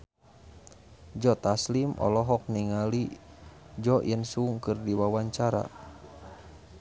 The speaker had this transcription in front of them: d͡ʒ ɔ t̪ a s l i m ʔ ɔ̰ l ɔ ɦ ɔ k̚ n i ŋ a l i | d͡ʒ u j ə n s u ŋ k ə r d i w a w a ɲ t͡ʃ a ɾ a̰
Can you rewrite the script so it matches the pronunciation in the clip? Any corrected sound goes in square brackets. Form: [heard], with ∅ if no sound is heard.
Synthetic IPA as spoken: d͡ʒ ɔ t̪ a s l i m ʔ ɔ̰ l ɔ ɦ ɔ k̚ n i ŋ a l i | d͡ʒ [ɔ] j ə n s u ŋ k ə r d i w a w a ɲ t͡ʃ a ɾ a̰